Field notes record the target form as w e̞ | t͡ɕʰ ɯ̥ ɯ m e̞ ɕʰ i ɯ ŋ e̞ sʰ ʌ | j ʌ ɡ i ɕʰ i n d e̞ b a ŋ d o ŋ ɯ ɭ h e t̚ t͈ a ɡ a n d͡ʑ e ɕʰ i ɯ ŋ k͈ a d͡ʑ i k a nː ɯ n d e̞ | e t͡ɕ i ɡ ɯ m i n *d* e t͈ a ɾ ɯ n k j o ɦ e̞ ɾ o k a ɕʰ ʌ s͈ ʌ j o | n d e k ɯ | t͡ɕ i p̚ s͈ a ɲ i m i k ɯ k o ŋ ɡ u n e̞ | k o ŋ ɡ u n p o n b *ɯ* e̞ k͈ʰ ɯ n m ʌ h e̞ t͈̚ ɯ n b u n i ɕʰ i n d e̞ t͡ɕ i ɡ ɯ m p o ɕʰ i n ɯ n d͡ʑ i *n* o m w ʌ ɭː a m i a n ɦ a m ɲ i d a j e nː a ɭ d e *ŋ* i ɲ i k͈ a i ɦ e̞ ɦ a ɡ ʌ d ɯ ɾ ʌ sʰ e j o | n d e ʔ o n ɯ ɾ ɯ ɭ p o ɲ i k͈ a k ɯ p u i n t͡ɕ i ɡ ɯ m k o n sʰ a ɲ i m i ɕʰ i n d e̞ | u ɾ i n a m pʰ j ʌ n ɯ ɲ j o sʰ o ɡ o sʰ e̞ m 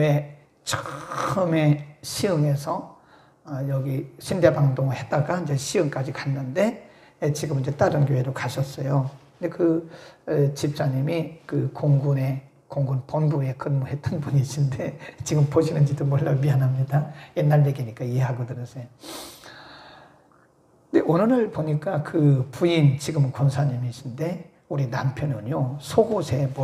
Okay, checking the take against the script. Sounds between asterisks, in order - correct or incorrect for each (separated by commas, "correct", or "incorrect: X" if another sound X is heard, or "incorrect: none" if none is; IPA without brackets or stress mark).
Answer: incorrect: d͡ʑ, incorrect: u, incorrect: d, incorrect: ɡ